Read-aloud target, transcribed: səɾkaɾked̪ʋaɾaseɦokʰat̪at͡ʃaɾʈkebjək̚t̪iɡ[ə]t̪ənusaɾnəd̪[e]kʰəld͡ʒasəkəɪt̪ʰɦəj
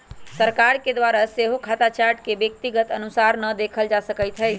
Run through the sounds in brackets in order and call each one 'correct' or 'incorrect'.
correct, correct

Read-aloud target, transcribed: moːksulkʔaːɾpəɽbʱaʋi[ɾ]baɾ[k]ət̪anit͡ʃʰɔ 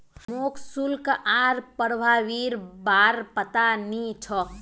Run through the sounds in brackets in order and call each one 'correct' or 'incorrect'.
correct, incorrect

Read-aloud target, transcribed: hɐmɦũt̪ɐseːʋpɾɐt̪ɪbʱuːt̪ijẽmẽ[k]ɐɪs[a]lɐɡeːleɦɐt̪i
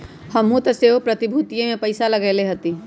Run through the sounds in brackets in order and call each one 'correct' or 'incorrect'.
incorrect, correct

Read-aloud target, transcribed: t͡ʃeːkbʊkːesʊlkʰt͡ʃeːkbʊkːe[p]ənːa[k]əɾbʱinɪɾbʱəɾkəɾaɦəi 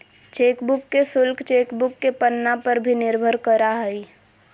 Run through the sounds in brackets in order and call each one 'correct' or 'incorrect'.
correct, incorrect

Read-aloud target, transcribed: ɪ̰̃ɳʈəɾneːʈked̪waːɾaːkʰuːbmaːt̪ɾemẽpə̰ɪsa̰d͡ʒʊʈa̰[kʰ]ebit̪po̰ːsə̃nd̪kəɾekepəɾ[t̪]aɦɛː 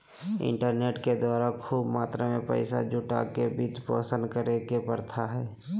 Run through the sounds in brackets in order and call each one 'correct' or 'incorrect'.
incorrect, incorrect

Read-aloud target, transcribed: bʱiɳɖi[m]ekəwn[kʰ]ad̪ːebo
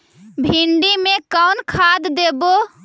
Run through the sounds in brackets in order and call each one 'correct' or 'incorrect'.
correct, correct

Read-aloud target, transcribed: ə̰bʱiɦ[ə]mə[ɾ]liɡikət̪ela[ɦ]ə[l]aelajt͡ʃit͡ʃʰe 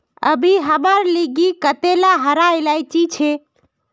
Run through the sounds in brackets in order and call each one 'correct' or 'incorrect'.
correct, correct, correct, incorrect

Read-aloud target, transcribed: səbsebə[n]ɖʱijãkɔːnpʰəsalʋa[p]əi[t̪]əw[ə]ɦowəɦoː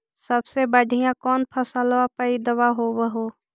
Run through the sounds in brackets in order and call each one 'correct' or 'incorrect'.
incorrect, correct, incorrect, incorrect

